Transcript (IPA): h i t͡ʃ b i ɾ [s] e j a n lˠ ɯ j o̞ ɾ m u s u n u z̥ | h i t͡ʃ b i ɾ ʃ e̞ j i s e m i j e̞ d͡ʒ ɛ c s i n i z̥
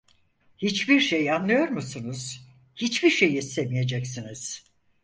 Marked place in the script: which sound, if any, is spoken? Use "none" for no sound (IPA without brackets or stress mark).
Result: ʃ